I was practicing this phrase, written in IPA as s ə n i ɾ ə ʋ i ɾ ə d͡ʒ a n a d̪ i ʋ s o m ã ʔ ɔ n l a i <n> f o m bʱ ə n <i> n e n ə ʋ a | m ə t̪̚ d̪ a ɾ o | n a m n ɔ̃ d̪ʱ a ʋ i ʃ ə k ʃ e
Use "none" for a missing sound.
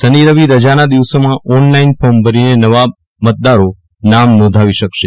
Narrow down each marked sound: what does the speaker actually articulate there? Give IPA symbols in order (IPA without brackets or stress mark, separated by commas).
n, i